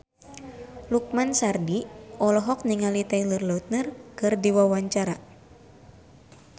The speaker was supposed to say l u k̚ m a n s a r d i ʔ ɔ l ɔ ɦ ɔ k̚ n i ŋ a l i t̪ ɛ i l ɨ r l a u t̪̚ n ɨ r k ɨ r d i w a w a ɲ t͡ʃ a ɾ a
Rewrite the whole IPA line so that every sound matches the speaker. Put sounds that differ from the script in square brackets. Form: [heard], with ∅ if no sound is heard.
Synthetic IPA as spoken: l u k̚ m a n s a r d i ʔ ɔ l ɔ ɦ ɔ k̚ n i ŋ a l i t̪ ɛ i l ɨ r l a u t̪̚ n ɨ r k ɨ r d i w a w a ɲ t͡ʃ a ɾ a

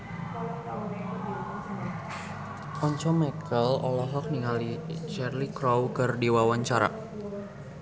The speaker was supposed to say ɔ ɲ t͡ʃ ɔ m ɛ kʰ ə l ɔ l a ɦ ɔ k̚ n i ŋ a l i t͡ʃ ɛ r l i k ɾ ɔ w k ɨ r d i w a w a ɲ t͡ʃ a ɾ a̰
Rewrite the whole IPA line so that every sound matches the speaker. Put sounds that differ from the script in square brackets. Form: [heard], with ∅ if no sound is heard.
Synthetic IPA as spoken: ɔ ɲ t͡ʃ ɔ m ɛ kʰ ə l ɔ l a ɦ ɔ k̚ n i ŋ a l i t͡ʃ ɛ r l i k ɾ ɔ w k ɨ r d i w a w a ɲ t͡ʃ a ɾ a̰

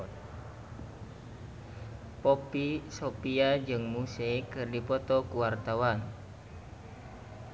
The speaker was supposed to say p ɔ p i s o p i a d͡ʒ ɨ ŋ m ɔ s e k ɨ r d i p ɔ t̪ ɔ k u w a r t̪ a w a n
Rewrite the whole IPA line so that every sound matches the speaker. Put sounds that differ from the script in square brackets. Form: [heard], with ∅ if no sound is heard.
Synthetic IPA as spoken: p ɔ p i s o p i a d͡ʒ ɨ ŋ m [u] s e k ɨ r d i p ɔ t̪ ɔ k u w a r t̪ a w a n

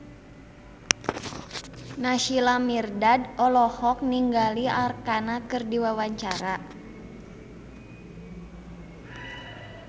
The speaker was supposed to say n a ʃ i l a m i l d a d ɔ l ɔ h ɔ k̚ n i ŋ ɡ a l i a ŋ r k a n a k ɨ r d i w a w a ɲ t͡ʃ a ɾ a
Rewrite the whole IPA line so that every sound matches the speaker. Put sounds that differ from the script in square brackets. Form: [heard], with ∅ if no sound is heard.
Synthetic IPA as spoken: n a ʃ i l a m i [r] d a d ɔ l ɔ h ɔ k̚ n i ŋ ɡ a l i a [∅] r k a n a k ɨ r d i w a w a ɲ t͡ʃ a ɾ a

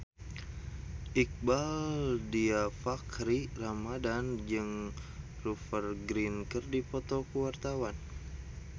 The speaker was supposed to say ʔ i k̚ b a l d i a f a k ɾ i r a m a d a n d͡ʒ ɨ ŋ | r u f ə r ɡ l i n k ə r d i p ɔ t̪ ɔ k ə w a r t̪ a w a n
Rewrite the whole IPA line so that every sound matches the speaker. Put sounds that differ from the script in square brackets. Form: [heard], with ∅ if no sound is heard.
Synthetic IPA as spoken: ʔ i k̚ b a l d i a f a k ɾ i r a m a d a n d͡ʒ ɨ ŋ | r u f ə r ɡ [ɾ] i n k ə r d i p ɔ t̪ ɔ k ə w a r t̪ a w a n

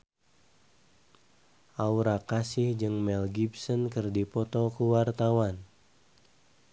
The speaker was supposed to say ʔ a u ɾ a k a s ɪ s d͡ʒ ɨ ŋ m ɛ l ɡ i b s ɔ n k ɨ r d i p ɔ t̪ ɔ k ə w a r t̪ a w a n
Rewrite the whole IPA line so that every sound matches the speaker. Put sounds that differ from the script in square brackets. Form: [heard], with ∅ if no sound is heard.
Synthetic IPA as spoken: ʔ a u ɾ a k a s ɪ [h] d͡ʒ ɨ ŋ m ɛ l ɡ i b s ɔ n k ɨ r d i p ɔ t̪ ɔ k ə w a r t̪ a w a n

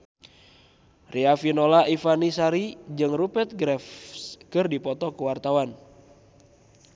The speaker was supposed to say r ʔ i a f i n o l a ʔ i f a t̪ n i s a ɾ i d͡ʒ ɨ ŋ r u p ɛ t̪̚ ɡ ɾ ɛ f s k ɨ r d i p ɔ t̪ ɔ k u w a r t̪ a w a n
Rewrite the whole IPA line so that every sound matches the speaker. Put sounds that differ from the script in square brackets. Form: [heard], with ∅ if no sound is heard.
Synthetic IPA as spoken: r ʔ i a f i n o l a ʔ i f a [∅] n i s a ɾ i d͡ʒ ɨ ŋ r u p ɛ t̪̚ ɡ ɾ ɛ f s k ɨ r d i p ɔ t̪ ɔ k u w a r t̪ a w a n

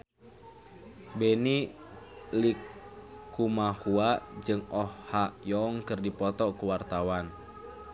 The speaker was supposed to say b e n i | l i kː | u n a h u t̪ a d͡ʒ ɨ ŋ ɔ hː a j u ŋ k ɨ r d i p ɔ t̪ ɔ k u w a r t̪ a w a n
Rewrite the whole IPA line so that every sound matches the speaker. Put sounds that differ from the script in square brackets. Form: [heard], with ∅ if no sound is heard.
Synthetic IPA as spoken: b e n i | l i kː | u [m] a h u [∅] a d͡ʒ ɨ ŋ ɔ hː a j [ɔ] ŋ k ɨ r d i p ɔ t̪ ɔ k u w a r t̪ a w a n

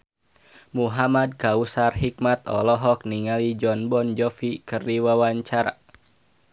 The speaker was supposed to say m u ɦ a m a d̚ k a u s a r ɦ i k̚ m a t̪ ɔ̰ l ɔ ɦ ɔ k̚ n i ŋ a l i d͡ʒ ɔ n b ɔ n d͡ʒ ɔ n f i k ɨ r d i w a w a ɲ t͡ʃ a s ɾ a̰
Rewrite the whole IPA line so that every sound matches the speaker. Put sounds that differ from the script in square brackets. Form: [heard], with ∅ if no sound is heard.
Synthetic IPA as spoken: m u ɦ a m a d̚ k a u s a r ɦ i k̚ m a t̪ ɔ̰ l ɔ ɦ ɔ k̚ n i ŋ a l i d͡ʒ ɔ n b ɔ n d͡ʒ ɔ [∅] f i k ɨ r d i w a w a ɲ t͡ʃ a [∅] ɾ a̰

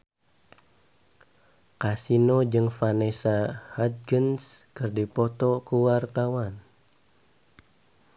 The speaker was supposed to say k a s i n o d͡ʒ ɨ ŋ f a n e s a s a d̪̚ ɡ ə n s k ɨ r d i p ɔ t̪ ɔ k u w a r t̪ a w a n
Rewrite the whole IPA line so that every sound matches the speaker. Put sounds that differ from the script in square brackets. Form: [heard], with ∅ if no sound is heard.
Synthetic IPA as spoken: k a s i n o d͡ʒ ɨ ŋ f a n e s a [h] a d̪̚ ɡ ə n s k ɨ r d i p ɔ t̪ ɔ k u w a r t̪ a w a n

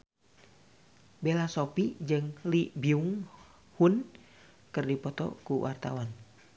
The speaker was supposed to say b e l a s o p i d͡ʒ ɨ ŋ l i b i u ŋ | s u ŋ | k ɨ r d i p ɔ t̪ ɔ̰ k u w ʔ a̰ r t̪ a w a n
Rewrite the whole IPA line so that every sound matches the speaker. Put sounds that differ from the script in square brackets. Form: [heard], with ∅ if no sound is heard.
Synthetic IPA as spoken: b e l a s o p i d͡ʒ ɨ ŋ l i b i u ŋ | [h] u [n] | k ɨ r d i p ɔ t̪ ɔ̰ k u w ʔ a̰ r t̪ a w a n

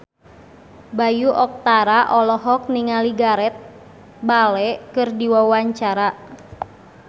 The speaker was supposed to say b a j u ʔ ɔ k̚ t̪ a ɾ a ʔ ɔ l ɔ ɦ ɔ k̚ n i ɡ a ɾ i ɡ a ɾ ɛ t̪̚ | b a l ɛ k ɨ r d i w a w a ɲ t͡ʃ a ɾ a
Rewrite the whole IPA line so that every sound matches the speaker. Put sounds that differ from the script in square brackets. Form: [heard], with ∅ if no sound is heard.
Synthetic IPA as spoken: b a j u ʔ ɔ k̚ t̪ a ɾ a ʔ ɔ l ɔ ɦ ɔ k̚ n i [ŋ] a [l] i ɡ a ɾ ɛ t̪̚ | b a l ɛ k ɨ r d i w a w a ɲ t͡ʃ a ɾ a

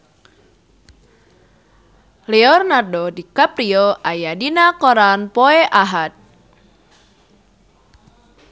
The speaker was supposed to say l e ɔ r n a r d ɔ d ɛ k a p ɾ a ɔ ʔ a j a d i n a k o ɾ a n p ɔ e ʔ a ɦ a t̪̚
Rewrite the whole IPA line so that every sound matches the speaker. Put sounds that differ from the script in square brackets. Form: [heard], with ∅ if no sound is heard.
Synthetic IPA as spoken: l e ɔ r n a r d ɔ d [i] k a p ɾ [i] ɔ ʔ a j a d i n a k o ɾ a n p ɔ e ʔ a ɦ a t̪̚

